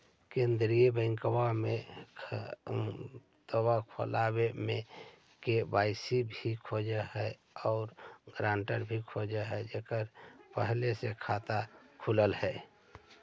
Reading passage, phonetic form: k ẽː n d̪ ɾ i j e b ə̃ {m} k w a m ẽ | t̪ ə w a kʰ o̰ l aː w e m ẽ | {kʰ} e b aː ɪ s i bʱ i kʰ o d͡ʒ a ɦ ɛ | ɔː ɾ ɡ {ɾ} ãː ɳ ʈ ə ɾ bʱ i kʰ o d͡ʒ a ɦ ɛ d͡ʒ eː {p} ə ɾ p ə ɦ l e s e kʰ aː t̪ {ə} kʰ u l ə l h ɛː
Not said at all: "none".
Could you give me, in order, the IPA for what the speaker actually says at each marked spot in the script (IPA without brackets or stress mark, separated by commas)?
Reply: ŋ, k, ɾ, k, a